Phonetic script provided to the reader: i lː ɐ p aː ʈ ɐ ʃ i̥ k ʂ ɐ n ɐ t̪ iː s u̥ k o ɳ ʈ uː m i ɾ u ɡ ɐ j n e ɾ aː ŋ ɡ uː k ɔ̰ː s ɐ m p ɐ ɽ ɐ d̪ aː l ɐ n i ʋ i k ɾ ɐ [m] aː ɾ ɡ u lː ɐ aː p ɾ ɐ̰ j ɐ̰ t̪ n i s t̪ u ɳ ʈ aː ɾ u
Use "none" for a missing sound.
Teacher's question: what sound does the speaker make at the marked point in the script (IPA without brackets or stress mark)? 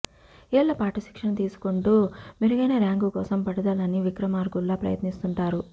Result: m